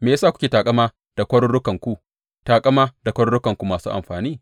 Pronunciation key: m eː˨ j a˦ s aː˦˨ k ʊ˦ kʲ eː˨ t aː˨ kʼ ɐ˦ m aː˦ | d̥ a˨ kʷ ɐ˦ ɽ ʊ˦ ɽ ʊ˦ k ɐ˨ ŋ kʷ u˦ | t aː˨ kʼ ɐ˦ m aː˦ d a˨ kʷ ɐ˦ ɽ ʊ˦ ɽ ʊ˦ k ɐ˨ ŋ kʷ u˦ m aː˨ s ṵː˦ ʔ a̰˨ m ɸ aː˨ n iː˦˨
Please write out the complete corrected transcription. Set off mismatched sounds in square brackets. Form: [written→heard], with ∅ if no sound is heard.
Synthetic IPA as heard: m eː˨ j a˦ s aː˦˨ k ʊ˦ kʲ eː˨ t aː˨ kʼ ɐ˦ m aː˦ | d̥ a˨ kʷ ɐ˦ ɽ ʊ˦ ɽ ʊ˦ k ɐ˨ ŋ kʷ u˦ | t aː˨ kʼ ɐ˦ m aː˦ d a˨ kʷ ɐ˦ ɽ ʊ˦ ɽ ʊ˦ k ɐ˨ ŋ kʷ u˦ m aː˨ s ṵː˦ ʔ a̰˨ m ɸ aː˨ n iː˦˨

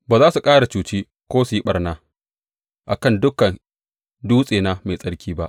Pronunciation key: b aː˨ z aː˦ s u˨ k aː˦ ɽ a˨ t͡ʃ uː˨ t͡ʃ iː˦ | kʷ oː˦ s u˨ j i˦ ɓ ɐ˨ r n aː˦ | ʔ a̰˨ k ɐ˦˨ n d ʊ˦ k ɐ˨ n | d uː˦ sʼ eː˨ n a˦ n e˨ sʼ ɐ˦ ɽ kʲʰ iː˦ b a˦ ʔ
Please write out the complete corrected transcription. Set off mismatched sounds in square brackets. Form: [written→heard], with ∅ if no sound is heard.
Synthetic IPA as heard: b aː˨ z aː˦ s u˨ [k→kʼ] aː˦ ɽ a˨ t͡ʃ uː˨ t͡ʃ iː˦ | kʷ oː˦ s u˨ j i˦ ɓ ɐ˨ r n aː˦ | ʔ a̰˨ k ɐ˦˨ n d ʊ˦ k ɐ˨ n | d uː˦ sʼ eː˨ n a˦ [n→m] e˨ sʼ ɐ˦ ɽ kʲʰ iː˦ b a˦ ʔ

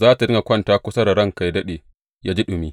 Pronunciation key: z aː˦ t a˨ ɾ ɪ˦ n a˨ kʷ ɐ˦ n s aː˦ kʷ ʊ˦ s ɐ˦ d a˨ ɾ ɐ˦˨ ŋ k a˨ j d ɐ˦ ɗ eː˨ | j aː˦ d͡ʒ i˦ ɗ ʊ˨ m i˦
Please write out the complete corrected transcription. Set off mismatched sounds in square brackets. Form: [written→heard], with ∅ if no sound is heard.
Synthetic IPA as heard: z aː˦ t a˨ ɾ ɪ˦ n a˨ kʷ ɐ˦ n [s→t] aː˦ kʷ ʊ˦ s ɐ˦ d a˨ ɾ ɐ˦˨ ŋ k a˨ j d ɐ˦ ɗ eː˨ | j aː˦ d͡ʒ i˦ ɗ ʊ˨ m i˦

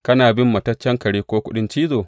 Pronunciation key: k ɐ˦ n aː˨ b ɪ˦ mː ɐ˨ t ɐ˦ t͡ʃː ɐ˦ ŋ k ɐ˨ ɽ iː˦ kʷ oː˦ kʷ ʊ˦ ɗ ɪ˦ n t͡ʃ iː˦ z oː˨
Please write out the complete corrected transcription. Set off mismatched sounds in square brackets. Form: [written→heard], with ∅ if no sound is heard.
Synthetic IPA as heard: k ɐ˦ n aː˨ b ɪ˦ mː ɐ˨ t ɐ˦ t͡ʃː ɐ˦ ŋ k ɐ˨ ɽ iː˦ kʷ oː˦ kʷ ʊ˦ ɗ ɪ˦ n t͡ʃ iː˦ z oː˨

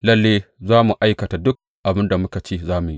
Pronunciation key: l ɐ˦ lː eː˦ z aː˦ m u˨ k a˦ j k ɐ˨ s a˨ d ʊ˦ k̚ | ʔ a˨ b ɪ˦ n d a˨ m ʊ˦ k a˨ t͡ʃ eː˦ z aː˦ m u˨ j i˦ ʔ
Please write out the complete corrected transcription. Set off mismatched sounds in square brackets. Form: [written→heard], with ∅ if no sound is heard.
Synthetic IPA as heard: l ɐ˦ lː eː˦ z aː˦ m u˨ [k→ʔ] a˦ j k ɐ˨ [s→t] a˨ d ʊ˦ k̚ | ʔ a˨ b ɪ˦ n d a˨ m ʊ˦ k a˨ t͡ʃ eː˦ z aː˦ m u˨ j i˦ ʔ

